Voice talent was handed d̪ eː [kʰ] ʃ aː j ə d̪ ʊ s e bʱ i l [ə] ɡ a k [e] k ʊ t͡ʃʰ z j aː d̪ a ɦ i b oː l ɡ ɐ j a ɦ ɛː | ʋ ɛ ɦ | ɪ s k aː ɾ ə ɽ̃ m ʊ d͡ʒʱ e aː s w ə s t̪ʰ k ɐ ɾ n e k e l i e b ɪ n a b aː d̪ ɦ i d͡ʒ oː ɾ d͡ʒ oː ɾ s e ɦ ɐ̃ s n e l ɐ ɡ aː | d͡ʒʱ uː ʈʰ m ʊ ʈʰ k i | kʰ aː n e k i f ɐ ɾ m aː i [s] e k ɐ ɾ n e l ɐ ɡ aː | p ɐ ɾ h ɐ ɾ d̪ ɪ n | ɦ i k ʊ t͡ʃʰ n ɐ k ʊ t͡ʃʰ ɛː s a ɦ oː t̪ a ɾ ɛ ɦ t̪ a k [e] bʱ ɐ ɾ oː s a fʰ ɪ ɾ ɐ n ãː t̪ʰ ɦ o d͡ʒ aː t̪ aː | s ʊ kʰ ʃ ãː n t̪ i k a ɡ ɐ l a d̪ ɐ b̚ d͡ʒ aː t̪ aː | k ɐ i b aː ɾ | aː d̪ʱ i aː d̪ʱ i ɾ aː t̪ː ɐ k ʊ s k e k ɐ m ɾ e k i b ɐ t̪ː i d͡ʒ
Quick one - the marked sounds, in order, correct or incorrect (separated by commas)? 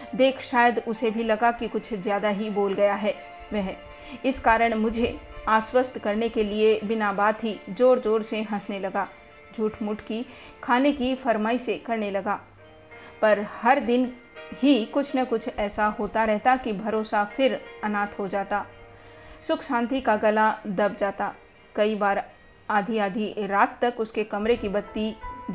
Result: correct, incorrect, incorrect, correct, incorrect